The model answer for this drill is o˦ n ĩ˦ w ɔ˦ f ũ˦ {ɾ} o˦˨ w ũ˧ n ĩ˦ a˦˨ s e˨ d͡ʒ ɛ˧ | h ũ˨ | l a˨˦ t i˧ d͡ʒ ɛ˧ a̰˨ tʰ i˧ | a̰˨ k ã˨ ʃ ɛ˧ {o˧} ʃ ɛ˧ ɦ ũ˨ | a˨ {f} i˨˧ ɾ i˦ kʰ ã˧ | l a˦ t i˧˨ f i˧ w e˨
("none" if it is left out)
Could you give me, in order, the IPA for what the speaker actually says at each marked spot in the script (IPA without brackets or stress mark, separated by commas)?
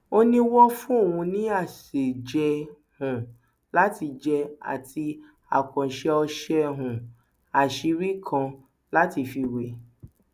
none, ɔ˧, ʃ